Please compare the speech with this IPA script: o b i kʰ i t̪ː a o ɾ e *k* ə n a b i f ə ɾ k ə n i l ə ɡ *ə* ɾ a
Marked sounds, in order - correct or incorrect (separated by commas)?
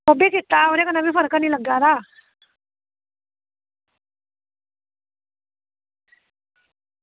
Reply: correct, incorrect